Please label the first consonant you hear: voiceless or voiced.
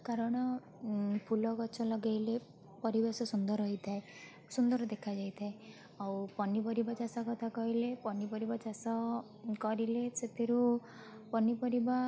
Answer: voiceless